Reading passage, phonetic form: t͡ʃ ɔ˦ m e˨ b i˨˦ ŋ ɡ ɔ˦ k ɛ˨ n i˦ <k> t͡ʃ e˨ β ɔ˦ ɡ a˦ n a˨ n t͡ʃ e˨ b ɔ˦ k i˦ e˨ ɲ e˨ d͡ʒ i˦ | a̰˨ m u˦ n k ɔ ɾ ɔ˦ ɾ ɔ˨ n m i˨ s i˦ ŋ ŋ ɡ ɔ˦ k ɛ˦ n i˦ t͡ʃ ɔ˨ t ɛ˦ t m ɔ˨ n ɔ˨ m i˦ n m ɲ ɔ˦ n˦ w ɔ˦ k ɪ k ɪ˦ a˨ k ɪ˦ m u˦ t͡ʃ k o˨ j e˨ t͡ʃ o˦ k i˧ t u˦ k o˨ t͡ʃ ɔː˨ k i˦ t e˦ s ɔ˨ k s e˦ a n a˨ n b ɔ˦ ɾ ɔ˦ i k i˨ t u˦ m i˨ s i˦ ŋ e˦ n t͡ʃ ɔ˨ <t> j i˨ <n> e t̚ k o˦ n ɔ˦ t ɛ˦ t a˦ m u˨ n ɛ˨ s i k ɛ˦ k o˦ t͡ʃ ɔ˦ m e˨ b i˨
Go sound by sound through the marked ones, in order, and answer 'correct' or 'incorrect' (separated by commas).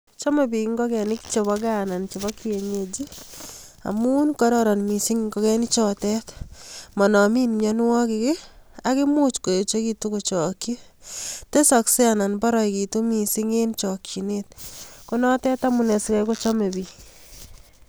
correct, incorrect, correct